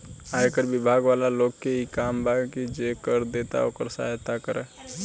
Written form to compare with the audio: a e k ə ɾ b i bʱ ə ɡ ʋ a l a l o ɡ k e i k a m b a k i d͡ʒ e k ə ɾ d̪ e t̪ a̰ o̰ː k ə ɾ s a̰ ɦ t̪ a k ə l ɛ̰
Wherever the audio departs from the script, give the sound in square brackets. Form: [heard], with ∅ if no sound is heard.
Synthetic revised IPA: a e k ə ɾ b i bʱ [a] ɡ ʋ a l a l o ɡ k e i k a m b a k i d͡ʒ e k ə ɾ d̪ e t̪ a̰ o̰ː k ə ɾ s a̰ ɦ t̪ a k ə [ɾ] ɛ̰